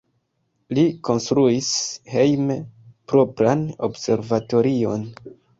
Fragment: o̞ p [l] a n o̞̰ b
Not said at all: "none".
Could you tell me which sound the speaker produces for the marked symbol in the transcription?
ɾ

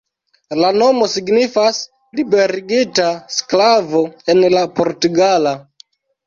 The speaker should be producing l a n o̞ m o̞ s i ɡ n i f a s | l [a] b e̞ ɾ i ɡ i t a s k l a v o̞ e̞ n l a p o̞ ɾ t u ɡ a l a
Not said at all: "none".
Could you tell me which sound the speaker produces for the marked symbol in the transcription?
i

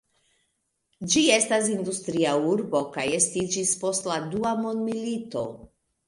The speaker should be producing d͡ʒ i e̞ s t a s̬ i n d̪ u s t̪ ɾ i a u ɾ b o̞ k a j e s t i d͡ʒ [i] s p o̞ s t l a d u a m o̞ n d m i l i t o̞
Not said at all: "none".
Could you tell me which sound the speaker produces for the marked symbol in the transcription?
i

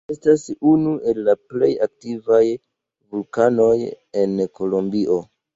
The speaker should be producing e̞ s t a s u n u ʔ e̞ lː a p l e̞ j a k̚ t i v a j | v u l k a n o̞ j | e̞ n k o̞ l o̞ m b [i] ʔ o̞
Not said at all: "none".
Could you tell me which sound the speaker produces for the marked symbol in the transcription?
i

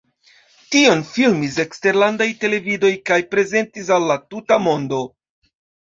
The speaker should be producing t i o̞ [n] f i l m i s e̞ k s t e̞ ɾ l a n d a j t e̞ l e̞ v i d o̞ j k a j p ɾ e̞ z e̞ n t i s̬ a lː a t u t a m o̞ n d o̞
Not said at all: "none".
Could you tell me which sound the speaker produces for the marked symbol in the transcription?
n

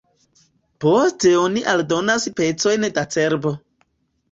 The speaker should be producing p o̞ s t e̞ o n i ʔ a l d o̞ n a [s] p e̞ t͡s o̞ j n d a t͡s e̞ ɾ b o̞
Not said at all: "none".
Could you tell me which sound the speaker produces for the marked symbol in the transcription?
s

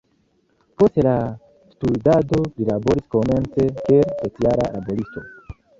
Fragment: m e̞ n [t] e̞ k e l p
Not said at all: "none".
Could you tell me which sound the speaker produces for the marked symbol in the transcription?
t͡s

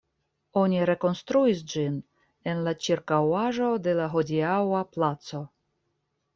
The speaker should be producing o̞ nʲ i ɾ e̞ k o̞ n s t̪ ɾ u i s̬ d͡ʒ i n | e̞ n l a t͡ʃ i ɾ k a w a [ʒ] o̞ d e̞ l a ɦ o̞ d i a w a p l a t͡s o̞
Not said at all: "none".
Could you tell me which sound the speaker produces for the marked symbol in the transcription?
ʒ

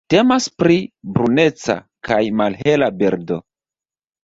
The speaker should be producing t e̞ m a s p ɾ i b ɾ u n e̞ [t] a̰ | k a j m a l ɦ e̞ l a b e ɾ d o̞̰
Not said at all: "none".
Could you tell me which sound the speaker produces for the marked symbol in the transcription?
t͡s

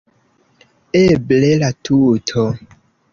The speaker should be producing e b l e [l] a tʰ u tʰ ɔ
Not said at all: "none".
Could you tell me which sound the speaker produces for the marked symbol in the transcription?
l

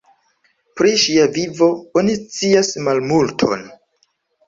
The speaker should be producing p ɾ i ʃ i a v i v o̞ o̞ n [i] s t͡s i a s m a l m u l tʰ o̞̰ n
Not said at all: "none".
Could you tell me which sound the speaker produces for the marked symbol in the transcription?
i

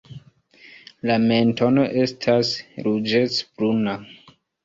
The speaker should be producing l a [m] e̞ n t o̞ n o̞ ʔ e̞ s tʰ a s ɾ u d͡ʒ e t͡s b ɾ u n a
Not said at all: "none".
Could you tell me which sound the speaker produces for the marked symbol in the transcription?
m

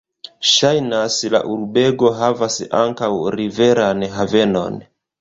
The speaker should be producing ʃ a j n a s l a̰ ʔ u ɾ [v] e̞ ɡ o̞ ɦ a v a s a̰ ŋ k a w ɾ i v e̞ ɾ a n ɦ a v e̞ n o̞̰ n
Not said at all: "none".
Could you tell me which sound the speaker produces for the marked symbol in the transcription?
b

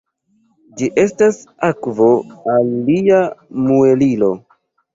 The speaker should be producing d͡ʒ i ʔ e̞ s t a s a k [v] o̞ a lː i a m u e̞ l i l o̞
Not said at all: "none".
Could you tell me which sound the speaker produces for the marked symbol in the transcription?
v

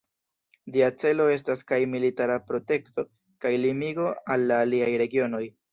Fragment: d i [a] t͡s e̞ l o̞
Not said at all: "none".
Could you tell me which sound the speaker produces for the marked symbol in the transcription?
a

